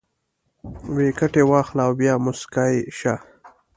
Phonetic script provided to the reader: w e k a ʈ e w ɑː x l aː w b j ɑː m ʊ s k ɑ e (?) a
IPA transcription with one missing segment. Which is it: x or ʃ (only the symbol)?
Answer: ʃ